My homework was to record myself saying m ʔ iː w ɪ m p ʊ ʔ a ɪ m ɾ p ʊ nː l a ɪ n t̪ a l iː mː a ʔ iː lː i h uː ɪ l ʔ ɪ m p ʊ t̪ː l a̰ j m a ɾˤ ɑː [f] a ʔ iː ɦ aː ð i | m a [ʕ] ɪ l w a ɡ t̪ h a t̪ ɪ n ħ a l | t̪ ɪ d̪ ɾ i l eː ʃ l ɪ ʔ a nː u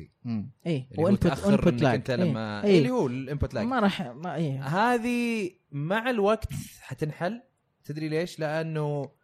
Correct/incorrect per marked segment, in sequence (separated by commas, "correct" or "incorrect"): incorrect, correct